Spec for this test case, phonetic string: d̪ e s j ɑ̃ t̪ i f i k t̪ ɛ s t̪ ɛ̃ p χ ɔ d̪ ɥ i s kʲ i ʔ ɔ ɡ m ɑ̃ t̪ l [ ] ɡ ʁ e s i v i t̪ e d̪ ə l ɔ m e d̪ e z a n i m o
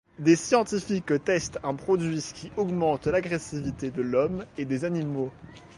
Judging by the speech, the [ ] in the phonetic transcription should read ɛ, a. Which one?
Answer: a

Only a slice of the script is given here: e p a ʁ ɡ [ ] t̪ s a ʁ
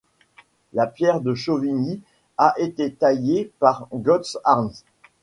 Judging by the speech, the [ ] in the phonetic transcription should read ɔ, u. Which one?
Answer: ɔ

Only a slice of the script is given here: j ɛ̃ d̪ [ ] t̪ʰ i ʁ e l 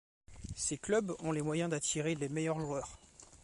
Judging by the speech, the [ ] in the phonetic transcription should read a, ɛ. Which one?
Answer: a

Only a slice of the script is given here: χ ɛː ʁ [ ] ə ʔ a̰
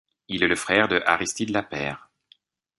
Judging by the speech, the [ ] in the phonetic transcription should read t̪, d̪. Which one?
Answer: d̪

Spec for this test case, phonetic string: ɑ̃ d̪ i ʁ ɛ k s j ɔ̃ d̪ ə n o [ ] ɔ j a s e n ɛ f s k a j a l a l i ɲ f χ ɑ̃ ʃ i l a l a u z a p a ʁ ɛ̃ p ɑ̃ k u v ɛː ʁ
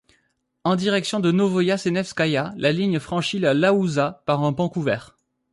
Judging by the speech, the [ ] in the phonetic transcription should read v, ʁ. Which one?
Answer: v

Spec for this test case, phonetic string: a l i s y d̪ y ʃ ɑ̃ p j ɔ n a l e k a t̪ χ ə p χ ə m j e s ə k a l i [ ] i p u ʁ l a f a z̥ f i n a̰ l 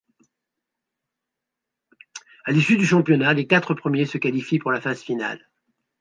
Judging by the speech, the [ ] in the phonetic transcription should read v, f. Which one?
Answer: f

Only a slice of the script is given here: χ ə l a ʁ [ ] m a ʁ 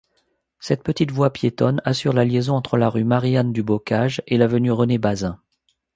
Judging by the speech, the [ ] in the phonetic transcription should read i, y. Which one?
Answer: y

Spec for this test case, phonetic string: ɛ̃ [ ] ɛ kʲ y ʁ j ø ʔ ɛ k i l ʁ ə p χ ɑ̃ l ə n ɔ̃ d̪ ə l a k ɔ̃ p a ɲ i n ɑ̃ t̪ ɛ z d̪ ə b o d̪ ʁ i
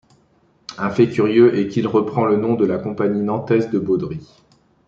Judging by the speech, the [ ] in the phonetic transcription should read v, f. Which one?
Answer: f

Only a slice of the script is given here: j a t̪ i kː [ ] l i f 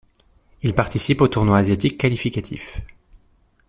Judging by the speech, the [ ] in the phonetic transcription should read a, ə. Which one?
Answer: a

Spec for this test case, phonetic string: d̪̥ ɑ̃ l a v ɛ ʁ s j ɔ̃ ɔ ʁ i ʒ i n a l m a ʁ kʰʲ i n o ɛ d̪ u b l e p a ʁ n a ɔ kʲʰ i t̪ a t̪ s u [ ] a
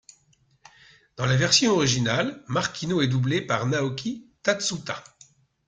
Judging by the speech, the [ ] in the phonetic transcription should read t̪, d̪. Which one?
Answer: t̪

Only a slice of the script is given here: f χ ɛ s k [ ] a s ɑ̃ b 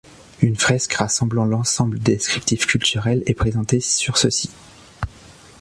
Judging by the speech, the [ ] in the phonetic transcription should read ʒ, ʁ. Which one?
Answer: ʁ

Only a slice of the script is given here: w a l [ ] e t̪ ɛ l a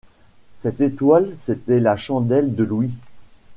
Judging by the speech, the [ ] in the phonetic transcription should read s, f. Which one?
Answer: s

